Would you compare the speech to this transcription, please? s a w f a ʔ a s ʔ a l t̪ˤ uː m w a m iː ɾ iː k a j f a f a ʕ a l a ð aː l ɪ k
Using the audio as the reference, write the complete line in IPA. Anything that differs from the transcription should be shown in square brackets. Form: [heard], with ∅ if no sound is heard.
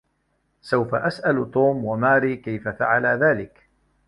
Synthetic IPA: s a w f a ʔ a s ʔ a l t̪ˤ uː m w a m [aː] ɾ iː k a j f a f a ʕ a l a ð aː l ɪ k